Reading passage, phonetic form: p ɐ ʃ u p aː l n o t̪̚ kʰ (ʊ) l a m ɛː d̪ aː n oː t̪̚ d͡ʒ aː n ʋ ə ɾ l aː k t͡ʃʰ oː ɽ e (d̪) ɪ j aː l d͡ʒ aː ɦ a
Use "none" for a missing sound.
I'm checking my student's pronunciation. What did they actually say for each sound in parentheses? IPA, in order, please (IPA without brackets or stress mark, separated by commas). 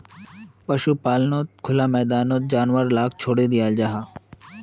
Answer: ʊ, d̪